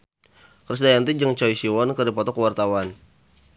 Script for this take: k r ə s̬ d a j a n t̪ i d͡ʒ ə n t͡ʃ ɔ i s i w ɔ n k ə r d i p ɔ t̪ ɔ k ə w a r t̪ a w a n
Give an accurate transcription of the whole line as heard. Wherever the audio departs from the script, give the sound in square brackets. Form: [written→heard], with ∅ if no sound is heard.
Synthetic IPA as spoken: k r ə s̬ d a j a n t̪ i d͡ʒ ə [n→ŋ] t͡ʃ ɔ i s i w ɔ n k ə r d i p ɔ t̪ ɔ k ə w a r t̪ a w a n